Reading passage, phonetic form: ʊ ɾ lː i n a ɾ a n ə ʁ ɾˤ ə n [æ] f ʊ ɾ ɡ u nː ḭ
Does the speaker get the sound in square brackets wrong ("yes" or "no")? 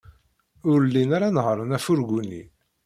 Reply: no